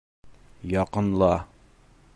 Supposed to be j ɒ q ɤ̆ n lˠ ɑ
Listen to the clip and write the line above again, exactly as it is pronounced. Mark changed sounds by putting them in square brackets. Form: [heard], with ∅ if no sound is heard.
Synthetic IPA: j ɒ q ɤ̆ n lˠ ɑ